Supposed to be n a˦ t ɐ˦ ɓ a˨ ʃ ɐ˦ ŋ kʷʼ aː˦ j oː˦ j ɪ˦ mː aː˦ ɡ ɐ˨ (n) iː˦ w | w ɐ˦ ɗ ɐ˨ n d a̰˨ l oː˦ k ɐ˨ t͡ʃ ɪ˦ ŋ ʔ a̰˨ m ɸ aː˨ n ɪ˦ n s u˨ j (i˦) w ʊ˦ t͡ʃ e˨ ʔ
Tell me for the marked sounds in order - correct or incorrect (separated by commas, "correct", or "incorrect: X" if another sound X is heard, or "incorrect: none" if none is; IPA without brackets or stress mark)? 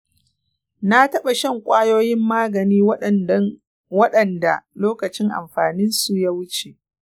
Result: correct, incorrect: a˦